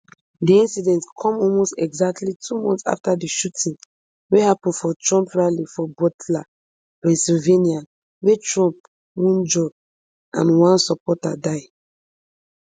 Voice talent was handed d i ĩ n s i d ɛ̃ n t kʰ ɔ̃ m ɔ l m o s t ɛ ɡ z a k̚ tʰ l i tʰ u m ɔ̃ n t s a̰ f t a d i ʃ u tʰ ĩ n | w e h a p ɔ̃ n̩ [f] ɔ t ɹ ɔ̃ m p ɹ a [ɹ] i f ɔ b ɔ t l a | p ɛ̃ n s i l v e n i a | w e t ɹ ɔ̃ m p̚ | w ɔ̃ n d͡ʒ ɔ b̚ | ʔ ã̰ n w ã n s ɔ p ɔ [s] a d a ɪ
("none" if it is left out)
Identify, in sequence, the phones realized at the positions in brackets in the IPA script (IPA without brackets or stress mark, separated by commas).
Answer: f, l, t